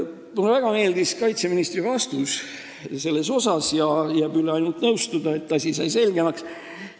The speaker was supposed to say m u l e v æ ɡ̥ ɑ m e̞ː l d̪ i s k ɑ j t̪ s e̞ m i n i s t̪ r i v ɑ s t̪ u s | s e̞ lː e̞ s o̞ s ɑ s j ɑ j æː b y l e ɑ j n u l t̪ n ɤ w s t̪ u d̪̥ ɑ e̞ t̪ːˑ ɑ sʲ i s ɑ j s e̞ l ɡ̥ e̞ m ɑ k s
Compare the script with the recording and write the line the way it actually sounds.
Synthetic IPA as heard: m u l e v æ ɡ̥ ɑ m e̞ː l d̪ i s k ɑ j t̪ s e̞ m i n i s t̪ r i v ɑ s t̪ u s | s e̞ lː e̞ s o̞ s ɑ s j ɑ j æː b y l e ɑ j n u l t̪ n ɤ w s t̪ u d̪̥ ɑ e̞ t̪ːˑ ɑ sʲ i s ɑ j s e̞ l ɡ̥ e̞ m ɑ k s